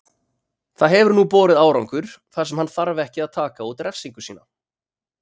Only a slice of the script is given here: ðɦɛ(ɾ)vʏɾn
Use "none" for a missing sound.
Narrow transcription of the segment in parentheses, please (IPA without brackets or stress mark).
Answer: none